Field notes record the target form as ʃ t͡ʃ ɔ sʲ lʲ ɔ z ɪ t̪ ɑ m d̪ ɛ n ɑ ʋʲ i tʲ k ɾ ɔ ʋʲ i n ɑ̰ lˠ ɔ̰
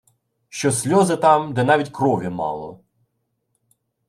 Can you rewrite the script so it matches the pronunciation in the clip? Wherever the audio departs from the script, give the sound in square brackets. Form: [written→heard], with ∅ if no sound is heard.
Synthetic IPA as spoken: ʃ t͡ʃ ɔ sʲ lʲ ɔ z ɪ t̪ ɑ m d̪ ɛ n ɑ ʋʲ i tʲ k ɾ ɔ ʋʲ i [n→m] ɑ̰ lˠ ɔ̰